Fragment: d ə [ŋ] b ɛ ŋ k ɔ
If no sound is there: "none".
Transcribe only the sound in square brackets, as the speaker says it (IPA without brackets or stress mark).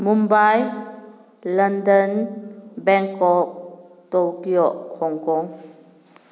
n